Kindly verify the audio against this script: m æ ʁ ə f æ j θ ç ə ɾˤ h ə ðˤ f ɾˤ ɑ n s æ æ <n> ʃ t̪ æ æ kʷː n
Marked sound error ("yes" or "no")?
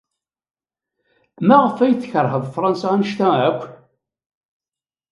no